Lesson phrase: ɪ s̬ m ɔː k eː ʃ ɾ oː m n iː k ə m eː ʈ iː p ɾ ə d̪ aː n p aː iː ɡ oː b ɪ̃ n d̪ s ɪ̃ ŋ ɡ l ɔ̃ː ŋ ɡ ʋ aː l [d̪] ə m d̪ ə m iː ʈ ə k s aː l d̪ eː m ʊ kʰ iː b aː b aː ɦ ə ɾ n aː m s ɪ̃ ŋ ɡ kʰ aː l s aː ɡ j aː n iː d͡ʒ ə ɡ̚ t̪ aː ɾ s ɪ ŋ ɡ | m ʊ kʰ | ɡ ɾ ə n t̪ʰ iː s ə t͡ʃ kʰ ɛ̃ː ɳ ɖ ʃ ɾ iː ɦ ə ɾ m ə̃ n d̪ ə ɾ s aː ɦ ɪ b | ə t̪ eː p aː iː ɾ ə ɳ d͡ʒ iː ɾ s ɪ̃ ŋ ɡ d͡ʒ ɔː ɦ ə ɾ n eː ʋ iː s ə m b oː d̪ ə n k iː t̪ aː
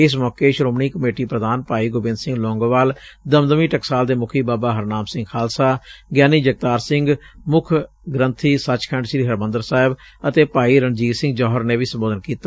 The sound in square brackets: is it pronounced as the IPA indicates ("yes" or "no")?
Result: yes